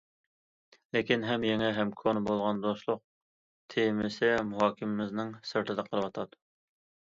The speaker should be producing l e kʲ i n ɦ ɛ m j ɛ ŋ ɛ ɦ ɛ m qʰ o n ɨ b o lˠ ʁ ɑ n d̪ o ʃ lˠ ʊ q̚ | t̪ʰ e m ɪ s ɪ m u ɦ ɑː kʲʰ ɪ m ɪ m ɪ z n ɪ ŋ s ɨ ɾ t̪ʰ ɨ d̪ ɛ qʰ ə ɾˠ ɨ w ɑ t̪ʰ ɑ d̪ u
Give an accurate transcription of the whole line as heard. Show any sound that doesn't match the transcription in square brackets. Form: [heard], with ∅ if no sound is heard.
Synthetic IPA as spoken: l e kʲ i n ɦ ɛ m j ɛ ŋ ɛ ɦ ɛ m [kʰ] o n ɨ b o lˠ ʁ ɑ n d̪ o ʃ lˠ ʊ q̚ | t̪ʰ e m ɪ s ɪ m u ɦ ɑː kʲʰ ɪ m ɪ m ɪ z n ɪ ŋ s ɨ ɾ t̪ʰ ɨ d̪ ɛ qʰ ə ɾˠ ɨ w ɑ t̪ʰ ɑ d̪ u

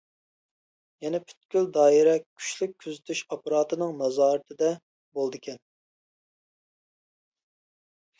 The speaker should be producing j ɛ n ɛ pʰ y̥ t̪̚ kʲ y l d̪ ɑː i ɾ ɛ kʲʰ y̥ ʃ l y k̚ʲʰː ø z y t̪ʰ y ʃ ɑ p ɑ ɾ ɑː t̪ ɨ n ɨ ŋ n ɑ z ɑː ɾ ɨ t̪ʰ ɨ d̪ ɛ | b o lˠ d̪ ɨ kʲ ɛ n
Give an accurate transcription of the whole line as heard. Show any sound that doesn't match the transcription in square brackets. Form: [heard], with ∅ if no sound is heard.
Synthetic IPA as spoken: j ɛ n ɛ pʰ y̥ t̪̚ kʲ y l d̪ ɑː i ɾ ɛ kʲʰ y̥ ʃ l y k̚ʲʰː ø z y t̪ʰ y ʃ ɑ p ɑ ɾ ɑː t̪ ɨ n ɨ ŋ n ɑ z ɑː ɾ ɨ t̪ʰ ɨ d̪ ɛ | b o lˠ d̪ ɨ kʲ ɛ n

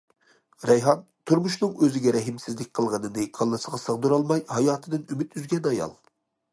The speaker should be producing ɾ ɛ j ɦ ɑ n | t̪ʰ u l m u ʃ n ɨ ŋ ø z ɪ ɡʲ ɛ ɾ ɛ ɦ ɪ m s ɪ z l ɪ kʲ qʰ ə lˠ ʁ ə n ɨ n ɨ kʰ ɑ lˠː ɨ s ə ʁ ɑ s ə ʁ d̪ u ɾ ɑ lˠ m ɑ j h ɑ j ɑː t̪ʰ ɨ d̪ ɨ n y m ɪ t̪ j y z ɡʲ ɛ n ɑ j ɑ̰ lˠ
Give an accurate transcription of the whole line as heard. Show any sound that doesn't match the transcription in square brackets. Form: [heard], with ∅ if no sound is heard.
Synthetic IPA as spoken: ɾ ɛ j ɦ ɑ n | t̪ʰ u [ɾ] m u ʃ n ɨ ŋ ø z ɪ ɡʲ ɛ ɾ ɛ ɦ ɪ m s ɪ z l ɪ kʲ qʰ ə lˠ ʁ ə n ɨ n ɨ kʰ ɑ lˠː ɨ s ə ʁ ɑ s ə ʁ d̪ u ɾ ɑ lˠ m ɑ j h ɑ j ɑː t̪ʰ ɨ d̪ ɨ n y m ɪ t̪ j y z ɡʲ ɛ n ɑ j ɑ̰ lˠ

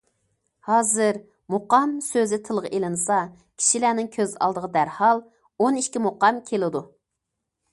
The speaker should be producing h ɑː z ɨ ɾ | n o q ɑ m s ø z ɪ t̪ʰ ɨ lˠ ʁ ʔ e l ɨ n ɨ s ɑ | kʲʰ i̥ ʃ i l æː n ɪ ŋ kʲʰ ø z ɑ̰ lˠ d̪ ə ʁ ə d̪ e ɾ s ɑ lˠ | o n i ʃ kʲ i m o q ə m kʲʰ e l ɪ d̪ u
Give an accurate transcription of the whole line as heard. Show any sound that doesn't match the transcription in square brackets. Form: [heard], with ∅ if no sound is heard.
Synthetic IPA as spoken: h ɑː z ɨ ɾ | [m] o q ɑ m s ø z ɪ t̪ʰ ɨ lˠ ʁ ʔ e l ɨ n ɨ s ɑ | kʲʰ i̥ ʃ i l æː n ɪ ŋ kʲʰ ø z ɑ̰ lˠ d̪ ə ʁ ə d̪ [æ] ɾ [h] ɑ lˠ | o n i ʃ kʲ i m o q [ɑ] m kʲʰ e l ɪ d̪ u

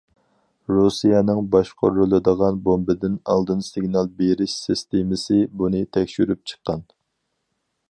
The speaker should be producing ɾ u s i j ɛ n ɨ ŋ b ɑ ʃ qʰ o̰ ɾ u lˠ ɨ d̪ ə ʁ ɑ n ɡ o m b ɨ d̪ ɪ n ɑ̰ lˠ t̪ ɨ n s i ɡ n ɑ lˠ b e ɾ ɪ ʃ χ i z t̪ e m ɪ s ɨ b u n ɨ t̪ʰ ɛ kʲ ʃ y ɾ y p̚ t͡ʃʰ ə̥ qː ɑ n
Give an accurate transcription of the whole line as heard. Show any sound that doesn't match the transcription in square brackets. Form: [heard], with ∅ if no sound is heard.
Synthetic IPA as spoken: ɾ u s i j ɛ n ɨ ŋ b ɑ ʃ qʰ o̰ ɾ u lˠ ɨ d̪ ə ʁ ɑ n [b] o m b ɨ d̪ ɪ n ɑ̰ lˠ [d̪] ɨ n s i ɡ n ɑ lˠ b e ɾ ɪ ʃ [s] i [s] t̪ e m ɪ s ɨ b u n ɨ t̪ʰ ɛ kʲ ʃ y ɾ y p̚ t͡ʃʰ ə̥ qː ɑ n

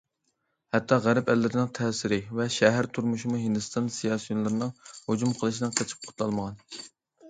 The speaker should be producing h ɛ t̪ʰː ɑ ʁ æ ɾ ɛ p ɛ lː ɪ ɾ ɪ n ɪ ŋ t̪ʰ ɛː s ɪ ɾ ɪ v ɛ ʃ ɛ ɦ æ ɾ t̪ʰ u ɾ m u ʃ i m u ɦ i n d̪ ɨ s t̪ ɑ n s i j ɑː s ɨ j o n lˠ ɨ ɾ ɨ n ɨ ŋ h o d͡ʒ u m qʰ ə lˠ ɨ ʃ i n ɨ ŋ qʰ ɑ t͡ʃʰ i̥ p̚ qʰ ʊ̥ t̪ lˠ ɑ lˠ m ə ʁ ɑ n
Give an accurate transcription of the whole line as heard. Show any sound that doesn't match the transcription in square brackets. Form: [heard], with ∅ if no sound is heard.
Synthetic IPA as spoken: h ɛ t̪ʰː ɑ ʁ æ ɾ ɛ p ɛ lː ɪ ɾ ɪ n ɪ ŋ t̪ʰ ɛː s ɪ ɾ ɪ v ɛ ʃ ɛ ɦ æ ɾ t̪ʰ u ɾ m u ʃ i m u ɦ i n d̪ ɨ s t̪ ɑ n s i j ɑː s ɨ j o n lˠ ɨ ɾ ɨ n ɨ ŋ h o d͡ʒ u m qʰ ə lˠ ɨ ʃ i n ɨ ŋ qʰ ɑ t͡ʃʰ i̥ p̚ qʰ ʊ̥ t̪ lˠ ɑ lˠ m ə ʁ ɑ n

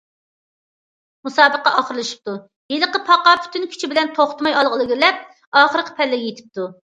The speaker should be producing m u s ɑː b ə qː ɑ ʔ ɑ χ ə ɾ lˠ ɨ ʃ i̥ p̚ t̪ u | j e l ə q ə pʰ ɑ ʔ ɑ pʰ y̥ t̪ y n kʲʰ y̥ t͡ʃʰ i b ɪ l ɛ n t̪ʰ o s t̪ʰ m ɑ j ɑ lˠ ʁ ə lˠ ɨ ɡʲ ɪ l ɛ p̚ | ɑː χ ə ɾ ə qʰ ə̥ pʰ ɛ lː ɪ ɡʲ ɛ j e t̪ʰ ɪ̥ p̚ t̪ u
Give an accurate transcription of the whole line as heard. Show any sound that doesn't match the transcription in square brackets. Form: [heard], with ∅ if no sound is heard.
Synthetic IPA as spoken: m u s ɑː b ə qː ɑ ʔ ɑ χ ə ɾ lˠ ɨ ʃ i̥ p̚ t̪ u | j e l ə q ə pʰ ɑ [q] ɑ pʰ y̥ t̪ y n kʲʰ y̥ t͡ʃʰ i b ɪ l ɛ n t̪ʰ o [χ] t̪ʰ m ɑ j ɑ lˠ ʁ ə lˠ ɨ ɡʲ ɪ l ɛ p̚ | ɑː χ ə ɾ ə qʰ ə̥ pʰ ɛ lː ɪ ɡʲ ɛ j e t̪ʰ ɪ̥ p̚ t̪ u

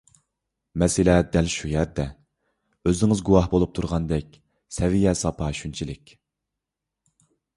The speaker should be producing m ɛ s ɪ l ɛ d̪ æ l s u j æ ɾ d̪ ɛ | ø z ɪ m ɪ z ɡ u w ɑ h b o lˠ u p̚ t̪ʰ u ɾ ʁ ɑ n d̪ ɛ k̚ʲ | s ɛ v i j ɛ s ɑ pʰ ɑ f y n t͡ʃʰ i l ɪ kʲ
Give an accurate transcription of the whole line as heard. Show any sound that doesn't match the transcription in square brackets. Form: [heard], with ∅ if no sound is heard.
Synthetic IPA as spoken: m ɛ s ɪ l ɛ d̪ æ l [ʃ] u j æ ɾ d̪ ɛ | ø z ɪ [ŋ] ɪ z ɡ u w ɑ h b o lˠ u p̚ t̪ʰ u ɾ ʁ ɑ n d̪ ɛ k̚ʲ | s ɛ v i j ɛ s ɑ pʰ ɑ [ʃ] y n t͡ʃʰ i l ɪ kʲ

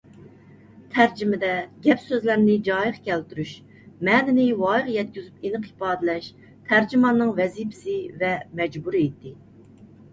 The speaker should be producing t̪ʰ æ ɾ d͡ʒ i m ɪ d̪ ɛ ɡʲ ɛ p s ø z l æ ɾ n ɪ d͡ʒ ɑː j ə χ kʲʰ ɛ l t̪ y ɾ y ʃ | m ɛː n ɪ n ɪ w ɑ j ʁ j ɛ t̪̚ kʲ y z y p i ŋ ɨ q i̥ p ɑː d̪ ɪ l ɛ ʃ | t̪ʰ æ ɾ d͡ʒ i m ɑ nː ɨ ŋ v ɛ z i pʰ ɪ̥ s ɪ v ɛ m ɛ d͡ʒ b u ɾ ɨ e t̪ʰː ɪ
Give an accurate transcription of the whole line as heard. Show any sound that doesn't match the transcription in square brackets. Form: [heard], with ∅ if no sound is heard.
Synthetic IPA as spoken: t̪ʰ æ ɾ d͡ʒ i m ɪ d̪ ɛ ɡʲ ɛ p s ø z l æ ɾ n ɪ d͡ʒ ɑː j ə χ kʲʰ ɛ l t̪ y ɾ y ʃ | m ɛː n ɪ n ɪ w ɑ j ʁ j ɛ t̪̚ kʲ y z y p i [n] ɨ q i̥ p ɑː d̪ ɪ l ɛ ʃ | t̪ʰ æ ɾ d͡ʒ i m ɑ nː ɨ ŋ v ɛ z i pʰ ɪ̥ s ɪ v ɛ m ɛ d͡ʒ b u ɾ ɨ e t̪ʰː ɪ

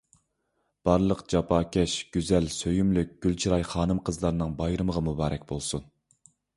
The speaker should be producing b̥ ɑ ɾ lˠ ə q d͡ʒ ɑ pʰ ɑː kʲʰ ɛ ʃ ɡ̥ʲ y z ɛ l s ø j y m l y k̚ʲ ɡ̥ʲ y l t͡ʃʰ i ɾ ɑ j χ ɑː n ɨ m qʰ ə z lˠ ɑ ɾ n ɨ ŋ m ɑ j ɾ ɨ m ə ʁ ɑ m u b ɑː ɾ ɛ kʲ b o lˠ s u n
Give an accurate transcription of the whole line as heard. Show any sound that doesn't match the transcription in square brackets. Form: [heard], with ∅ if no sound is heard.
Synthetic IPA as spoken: b̥ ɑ ɾ lˠ ə q d͡ʒ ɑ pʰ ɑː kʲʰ ɛ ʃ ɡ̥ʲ y z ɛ l s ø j y m l y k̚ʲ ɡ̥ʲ y l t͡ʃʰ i ɾ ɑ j χ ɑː n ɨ m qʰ ə z lˠ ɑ ɾ n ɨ ŋ [b] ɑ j ɾ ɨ m ə ʁ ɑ m u b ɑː ɾ ɛ kʲ b o lˠ s u n

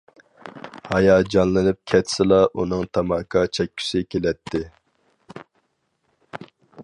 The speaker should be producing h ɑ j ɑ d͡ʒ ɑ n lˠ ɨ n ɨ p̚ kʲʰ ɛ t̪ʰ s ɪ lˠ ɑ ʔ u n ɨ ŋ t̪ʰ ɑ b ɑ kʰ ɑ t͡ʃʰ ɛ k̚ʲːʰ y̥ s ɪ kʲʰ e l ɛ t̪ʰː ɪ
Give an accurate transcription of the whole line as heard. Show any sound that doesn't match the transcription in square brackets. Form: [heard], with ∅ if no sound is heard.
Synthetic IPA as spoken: h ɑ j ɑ d͡ʒ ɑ n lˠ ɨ n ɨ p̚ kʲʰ ɛ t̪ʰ s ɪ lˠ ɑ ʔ u n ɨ ŋ t̪ʰ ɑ [m] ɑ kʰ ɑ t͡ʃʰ ɛ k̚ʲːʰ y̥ s ɪ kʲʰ e l ɛ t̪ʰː ɪ

